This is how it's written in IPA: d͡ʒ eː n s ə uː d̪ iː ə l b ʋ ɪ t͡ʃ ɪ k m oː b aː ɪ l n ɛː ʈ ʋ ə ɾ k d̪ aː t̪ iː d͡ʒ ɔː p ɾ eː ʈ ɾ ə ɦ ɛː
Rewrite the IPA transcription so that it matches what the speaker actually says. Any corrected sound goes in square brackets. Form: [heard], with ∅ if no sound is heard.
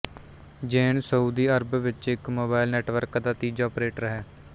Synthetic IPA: d͡ʒ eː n s ə uː d̪ iː ə [ɾ] b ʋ ɪ t͡ʃ ɪ k m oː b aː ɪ l n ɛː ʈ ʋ ə ɾ k d̪ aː t̪ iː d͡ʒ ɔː p ɾ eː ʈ ɾ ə ɦ ɛː